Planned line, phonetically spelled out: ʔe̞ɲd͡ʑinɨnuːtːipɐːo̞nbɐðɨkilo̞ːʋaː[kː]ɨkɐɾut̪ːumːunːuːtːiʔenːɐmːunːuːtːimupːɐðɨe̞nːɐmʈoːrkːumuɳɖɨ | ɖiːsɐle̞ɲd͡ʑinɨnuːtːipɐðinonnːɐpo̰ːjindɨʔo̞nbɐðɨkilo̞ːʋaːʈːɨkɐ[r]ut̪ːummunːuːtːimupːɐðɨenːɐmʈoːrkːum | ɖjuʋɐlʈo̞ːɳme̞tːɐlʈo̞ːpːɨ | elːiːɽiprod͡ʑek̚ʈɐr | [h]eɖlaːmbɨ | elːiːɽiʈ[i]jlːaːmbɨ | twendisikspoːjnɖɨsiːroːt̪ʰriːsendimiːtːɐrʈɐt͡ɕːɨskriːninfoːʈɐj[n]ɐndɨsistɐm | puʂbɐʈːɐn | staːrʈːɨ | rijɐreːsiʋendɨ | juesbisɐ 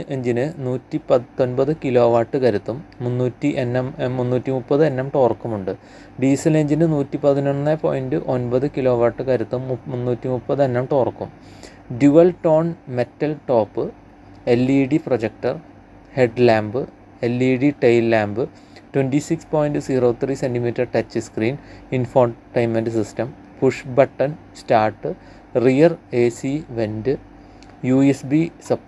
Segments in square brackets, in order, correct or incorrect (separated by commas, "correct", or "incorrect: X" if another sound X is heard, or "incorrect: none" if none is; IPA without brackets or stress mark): incorrect: ʈː, incorrect: ɾ, correct, incorrect: e, incorrect: m